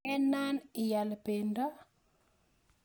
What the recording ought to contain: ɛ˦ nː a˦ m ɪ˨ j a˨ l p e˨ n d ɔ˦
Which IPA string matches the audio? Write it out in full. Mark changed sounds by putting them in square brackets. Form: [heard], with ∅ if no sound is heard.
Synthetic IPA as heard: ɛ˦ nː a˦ [n] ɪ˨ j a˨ l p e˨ n d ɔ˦

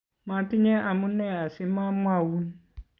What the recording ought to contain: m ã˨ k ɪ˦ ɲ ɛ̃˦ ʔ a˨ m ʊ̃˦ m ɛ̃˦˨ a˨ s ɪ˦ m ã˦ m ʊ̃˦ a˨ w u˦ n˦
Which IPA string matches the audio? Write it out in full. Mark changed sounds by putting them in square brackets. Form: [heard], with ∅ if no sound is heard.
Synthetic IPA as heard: m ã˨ [t] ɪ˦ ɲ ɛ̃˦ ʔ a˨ m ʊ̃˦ [n] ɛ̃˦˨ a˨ s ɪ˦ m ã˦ m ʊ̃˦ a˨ w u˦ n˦

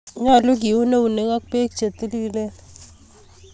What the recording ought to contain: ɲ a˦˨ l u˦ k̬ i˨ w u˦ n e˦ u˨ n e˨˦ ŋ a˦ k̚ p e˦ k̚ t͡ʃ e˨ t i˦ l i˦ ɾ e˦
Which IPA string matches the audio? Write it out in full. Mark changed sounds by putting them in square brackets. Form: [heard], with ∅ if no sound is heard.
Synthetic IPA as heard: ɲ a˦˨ l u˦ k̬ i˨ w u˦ n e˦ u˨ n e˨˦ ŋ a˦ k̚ p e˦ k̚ t͡ʃ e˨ t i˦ l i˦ [l] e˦

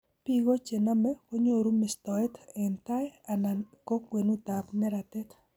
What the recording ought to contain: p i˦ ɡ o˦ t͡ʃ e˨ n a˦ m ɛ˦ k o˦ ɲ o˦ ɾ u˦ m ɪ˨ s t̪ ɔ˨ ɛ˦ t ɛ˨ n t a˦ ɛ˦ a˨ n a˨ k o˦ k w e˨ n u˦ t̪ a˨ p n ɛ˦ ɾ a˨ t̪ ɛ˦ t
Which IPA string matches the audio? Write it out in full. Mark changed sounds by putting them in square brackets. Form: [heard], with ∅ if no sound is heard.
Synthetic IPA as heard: p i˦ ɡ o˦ t͡ʃ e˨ n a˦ m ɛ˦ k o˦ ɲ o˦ ɾ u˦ m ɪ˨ s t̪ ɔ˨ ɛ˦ t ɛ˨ n t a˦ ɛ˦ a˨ n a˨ k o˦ k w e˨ n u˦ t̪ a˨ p n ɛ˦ ɾ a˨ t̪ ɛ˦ t

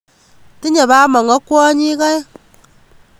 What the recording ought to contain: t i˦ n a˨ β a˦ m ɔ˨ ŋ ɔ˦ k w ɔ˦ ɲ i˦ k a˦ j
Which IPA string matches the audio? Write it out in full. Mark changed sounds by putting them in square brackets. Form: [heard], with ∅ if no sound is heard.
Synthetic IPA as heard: t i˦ [ɲ] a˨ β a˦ m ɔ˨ ŋ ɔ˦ k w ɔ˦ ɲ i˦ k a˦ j

